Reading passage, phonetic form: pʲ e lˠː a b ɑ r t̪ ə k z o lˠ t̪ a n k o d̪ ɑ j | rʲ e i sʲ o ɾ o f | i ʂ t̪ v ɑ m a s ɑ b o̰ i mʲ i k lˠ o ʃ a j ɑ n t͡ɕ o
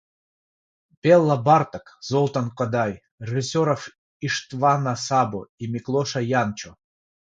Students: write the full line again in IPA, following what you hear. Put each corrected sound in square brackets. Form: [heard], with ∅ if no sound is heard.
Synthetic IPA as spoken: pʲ e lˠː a b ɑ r t̪ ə k z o lˠ t̪ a n k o d̪ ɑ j | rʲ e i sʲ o ɾ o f | i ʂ t̪ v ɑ [n] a s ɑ b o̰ i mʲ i k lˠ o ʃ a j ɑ n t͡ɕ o

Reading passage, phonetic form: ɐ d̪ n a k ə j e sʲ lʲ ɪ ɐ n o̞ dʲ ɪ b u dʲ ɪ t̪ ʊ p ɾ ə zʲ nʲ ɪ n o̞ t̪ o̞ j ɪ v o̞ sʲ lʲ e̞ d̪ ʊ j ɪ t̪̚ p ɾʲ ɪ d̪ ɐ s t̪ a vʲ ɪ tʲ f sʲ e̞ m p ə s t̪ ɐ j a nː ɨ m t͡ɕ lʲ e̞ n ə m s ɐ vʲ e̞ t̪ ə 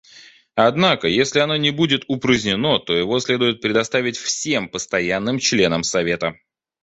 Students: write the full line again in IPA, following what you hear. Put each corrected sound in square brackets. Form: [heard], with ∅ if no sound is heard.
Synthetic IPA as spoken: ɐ d̪ n a k ə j e sʲ lʲ ɪ ɐ n o̞ [nʲ] ɪ b u dʲ ɪ t̪ ʊ p ɾ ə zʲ nʲ ɪ n o̞ t̪ o̞ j ɪ v o̞ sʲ lʲ e̞ d̪ ʊ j ɪ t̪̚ p ɾʲ ɪ d̪ ɐ s t̪ a vʲ ɪ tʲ f sʲ e̞ m p ə s t̪ ɐ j a nː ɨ m t͡ɕ lʲ e̞ n ə m s ɐ vʲ e̞ t̪ ə

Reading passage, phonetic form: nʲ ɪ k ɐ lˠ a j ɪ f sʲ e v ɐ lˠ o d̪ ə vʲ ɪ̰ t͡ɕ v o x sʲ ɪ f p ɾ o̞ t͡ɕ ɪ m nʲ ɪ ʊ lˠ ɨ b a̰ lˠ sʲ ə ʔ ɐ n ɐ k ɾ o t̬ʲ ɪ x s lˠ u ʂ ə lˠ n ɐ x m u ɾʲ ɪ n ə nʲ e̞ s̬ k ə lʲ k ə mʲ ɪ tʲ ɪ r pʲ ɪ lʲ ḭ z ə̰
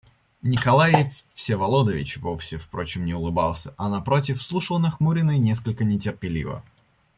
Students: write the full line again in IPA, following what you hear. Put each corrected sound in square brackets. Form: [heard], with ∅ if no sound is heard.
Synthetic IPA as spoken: nʲ ɪ k ɐ lˠ a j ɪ f sʲ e v ɐ lˠ o d̪ ə vʲ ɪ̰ t͡ɕ v o [f] sʲ ɪ f p ɾ o̞ t͡ɕ ɪ m nʲ ɪ ʊ lˠ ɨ b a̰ lˠ sʲ ə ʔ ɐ n ɐ [p] ɾ o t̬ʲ ɪ [f] s lˠ u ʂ ə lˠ n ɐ x m u ɾʲ ɪ n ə nʲ e̞ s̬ k ə lʲ k ə [nʲ] ɪ tʲ ɪ r pʲ ɪ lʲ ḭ [v] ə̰

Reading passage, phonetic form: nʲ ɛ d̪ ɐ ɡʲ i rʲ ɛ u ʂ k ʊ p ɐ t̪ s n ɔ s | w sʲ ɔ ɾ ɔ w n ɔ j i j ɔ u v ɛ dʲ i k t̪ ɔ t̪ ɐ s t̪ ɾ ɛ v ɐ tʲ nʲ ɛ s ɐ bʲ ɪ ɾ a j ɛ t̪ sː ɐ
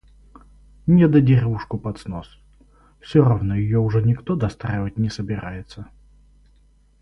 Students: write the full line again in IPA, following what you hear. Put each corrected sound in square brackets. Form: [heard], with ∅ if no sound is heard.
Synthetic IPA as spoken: nʲ ɛ d̪ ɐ [dʲ] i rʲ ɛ u ʂ k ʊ p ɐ t̪ s n ɔ s | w sʲ ɔ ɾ ɔ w n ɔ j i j ɔ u [ʐ] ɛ [nʲ] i k t̪ ɔ [d̪] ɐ s t̪ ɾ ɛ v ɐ tʲ nʲ ɛ s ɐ bʲ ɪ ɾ a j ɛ t̪ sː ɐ

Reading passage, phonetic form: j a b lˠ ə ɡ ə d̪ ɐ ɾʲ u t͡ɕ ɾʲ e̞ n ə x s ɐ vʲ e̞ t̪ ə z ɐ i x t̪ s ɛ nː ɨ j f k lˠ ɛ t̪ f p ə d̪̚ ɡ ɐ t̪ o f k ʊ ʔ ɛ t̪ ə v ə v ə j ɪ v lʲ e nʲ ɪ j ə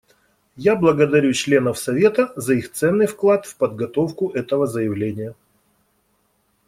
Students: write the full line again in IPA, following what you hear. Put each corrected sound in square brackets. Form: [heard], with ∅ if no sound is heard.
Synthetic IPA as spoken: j a b lˠ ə ɡ ə d̪ ɐ ɾʲ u t͡ɕ [lʲ] e̞ n ə [f] s ɐ vʲ e̞ t̪ ə z ɐ i x t̪ s ɛ nː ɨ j f k lˠ [a] t̪ f p ə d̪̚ ɡ ɐ t̪ o f k ʊ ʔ ɛ t̪ ə v ə [z] ə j ɪ v lʲ e nʲ ɪ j ə

